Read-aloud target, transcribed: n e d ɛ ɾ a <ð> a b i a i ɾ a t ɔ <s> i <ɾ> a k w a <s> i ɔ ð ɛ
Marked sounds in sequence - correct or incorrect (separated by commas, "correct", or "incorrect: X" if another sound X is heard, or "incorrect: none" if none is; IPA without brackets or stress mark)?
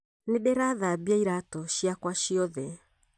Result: correct, incorrect: ʃ, incorrect: none, incorrect: ʃ